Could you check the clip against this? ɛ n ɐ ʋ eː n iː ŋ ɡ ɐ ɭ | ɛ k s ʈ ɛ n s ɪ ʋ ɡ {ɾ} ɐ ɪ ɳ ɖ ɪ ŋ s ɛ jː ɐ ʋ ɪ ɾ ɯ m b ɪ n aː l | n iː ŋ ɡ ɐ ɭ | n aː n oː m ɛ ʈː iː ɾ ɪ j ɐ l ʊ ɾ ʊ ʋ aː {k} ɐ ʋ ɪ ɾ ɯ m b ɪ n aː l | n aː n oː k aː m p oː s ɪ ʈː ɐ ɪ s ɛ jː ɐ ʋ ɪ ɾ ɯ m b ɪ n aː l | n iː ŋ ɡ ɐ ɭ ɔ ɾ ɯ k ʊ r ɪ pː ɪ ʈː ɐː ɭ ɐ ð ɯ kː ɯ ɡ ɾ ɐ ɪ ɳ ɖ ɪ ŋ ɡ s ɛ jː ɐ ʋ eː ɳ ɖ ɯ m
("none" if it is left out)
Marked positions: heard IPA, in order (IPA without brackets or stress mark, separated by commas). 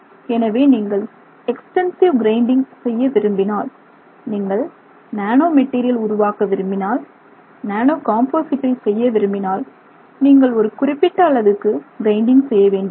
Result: ɾ, k